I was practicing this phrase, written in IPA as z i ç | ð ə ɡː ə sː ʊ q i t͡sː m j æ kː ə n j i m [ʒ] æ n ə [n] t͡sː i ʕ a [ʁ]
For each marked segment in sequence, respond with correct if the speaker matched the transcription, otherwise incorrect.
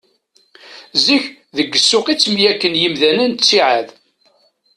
incorrect: ð, correct, incorrect: ð

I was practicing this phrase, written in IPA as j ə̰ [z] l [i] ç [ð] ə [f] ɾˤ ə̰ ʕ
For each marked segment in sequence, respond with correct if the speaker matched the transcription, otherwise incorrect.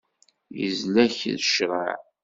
correct, incorrect: æ, correct, incorrect: ʃ

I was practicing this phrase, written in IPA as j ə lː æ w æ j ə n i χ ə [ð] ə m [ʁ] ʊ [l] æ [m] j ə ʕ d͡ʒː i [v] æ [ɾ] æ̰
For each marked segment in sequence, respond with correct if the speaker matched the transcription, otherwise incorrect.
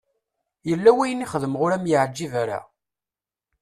correct, correct, incorrect: ɾ, correct, correct, correct

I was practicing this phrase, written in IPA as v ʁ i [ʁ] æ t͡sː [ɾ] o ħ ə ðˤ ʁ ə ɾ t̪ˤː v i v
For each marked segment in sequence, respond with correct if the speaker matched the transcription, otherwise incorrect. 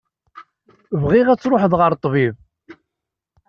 correct, correct

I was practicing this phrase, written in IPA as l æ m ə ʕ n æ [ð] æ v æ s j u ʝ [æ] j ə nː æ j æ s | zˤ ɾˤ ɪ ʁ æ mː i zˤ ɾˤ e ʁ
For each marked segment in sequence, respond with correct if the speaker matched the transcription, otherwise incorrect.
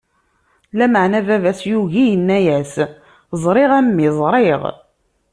incorrect: v, incorrect: i

